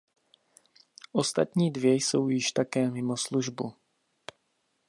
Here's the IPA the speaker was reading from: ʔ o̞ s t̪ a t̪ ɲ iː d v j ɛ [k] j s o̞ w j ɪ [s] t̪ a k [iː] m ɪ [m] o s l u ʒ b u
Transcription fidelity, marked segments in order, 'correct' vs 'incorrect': incorrect: none, incorrect: ʃ, incorrect: ɛː, correct

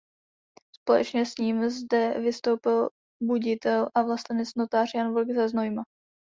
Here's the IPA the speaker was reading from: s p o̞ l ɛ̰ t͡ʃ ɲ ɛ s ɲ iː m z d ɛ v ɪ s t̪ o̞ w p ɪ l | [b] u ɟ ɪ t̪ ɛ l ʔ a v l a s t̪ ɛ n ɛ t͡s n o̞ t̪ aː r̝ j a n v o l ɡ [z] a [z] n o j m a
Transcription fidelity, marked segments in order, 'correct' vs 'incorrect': correct, correct, correct

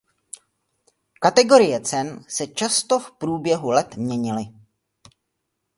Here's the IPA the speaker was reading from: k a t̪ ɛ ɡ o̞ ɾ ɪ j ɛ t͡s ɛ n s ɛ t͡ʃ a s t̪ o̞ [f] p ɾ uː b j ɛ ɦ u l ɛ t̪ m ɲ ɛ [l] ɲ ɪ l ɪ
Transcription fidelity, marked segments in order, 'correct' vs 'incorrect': correct, incorrect: none

